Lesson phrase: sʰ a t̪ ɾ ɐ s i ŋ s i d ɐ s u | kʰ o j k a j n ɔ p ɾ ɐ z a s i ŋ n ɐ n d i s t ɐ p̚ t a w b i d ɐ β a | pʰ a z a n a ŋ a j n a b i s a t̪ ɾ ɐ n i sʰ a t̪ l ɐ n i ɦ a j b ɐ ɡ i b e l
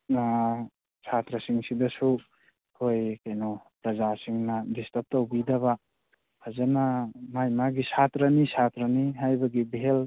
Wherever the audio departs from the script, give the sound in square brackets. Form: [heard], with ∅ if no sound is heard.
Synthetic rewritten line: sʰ a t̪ ɾ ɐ s i ŋ s i d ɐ s u | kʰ o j k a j n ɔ p ɾ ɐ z a s i ŋ n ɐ [∅] d i s t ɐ p̚ t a w b i d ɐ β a | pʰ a z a n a [m] a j [m] a [ɡ] i s a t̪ ɾ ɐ n i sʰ a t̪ [ɾ] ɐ n i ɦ a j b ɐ ɡ i b e l